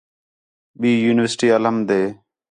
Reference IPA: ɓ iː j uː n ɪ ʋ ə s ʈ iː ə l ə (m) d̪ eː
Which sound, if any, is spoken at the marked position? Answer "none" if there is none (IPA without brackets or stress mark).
m